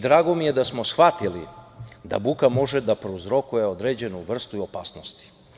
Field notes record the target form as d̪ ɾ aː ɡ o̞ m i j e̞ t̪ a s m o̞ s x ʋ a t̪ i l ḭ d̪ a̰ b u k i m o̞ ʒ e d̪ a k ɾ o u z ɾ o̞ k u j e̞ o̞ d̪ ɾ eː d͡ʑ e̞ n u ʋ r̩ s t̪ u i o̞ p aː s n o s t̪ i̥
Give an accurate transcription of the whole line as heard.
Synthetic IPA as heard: d̪ ɾ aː ɡ o̞ m i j e̞ d̪ a s m o̞ s x ʋ a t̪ i l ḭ d̪ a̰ b u k a m o̞ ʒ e d̪ a p ɾ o u z ɾ o̞ k u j e̞ o̞ d̪ ɾ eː d͡ʑ e̞ n u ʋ r̩ s t̪ u i o̞ p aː s n o s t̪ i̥